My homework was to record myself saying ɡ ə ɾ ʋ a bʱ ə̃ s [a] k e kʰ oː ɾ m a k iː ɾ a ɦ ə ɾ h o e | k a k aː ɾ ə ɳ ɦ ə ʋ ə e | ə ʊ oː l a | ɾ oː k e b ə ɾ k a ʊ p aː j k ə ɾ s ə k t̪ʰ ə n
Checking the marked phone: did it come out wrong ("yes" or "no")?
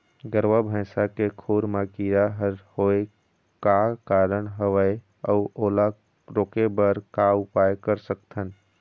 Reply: no